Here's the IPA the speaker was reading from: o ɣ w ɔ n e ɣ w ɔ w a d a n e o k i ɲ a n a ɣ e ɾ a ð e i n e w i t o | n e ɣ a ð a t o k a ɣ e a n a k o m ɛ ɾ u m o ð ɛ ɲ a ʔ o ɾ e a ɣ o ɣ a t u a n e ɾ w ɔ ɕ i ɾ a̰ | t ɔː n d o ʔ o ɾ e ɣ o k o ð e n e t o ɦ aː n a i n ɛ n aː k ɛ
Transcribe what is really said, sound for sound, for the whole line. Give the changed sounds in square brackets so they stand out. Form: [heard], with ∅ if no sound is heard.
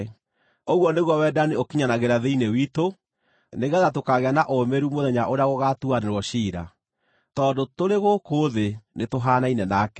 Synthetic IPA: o ɣ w ɔ n e ɣ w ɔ w [ɛ] d a n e o k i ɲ a n a ɣ e ɾ a ð e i n e w i t o | n e ɣ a ð a t o k a ɣ e a n a [ʔ] o m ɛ ɾ u m o ð ɛ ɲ a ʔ o ɾ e a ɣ o ɣ a t u a n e ɾ w ɔ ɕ i ɾ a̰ | t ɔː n d o [t] o ɾ e ɣ o k o ð e n e t o ɦ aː n a i n ɛ n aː k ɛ